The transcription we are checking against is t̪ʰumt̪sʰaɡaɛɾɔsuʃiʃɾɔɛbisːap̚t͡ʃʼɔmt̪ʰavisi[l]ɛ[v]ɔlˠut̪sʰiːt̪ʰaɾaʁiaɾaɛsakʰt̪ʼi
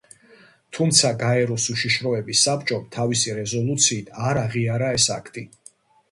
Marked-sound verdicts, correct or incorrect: incorrect: ɾ, incorrect: z

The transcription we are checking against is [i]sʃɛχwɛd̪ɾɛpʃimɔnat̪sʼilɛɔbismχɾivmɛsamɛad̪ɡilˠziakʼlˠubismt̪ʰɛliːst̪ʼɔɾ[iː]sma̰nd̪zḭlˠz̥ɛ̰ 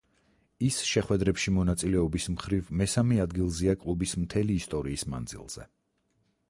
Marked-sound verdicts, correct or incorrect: correct, correct

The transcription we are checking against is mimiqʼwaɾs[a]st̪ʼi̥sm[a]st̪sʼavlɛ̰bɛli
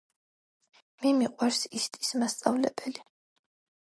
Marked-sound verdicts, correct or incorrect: incorrect: i, correct

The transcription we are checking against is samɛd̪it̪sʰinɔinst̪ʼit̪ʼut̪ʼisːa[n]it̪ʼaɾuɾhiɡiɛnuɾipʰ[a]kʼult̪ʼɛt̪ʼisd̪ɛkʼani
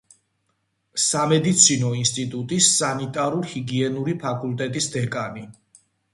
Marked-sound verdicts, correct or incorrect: correct, correct

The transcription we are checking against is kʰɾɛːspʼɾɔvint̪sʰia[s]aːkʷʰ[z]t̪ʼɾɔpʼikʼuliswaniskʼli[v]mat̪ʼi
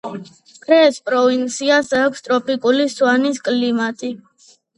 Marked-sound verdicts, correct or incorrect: correct, incorrect: s, incorrect: none

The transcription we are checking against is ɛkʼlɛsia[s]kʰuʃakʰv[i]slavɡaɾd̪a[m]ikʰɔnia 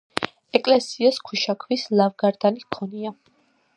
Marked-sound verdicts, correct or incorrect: correct, correct, incorrect: n

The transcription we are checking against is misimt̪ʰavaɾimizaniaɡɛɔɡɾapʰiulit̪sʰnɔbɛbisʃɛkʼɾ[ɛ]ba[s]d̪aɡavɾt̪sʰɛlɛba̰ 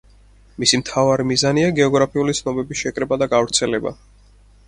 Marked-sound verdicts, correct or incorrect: correct, incorrect: none

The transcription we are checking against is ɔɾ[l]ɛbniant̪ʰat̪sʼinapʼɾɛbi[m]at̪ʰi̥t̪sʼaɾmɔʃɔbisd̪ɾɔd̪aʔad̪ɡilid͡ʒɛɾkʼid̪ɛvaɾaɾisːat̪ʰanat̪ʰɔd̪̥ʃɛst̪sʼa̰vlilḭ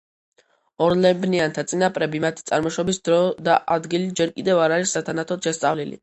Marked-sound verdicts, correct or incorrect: correct, correct

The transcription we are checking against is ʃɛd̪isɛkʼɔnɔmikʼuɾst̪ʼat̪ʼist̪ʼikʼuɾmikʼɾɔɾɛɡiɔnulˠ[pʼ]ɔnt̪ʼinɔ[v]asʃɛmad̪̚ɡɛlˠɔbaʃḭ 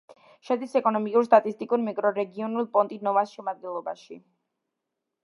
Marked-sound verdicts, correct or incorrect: correct, correct

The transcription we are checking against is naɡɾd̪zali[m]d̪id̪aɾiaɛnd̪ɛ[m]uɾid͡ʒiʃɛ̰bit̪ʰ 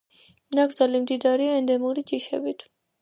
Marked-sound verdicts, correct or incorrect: correct, correct

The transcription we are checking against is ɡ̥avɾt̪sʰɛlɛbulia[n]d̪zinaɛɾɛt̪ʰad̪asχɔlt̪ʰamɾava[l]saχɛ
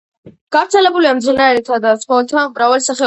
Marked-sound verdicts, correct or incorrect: incorrect: m, correct

